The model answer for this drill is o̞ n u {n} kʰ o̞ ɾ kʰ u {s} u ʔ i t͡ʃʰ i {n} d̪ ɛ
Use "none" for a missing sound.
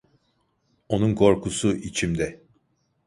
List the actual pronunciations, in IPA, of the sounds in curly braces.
n, s, m

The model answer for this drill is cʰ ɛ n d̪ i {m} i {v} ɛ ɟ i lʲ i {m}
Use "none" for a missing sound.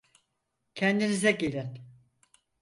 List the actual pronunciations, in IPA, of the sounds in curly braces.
n, z, n

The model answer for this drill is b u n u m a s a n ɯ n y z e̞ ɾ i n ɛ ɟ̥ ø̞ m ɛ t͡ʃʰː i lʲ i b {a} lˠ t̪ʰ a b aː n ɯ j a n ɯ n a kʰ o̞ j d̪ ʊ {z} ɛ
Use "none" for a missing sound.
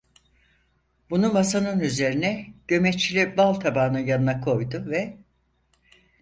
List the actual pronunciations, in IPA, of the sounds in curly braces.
a, v

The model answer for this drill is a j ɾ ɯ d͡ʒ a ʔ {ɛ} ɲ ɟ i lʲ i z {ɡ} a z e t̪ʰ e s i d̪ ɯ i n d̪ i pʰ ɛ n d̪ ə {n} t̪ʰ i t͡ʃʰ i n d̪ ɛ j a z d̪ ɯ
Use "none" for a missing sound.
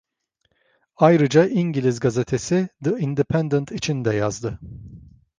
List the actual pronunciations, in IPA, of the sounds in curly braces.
i, ɡ, n

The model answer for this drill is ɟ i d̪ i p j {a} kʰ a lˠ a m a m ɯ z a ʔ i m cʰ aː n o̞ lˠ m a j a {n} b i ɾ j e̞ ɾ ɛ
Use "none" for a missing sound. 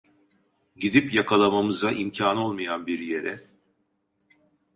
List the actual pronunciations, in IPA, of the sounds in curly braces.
a, n

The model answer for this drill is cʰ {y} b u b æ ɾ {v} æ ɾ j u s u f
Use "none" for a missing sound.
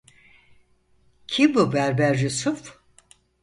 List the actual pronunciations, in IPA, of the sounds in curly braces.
i, b

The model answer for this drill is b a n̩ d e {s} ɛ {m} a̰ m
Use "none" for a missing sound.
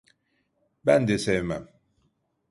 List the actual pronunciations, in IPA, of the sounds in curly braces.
s, m

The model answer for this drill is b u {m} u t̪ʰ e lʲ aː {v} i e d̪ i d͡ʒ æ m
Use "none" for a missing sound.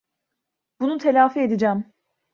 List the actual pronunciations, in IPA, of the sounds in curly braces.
n, f

